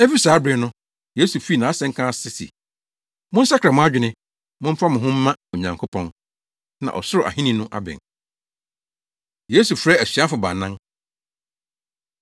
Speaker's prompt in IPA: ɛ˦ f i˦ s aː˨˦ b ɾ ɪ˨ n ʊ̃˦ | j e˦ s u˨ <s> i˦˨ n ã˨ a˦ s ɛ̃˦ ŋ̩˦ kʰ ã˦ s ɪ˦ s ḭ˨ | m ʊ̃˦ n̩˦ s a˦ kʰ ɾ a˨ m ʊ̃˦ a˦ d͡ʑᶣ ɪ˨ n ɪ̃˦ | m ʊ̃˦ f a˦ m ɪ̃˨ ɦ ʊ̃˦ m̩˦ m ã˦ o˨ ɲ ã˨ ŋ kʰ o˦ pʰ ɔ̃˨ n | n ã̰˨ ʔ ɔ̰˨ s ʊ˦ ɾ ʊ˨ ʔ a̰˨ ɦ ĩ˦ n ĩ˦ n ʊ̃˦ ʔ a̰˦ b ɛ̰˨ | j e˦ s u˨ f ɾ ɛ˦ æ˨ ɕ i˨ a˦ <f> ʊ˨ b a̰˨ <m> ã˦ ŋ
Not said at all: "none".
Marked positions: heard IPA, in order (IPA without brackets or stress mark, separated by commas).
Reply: f, f, n